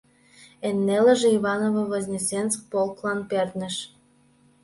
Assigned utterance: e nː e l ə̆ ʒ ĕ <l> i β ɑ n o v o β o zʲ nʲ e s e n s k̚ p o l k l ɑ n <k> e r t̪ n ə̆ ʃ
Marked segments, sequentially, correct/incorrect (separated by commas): incorrect, incorrect